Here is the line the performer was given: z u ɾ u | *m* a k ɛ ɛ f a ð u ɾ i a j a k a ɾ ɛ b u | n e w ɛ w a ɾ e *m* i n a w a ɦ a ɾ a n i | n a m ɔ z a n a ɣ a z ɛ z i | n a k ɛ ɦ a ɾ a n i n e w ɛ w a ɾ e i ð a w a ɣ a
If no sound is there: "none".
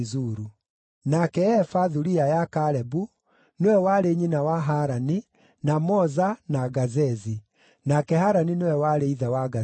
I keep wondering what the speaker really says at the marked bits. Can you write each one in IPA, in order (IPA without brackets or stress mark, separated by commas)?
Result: n, ɲ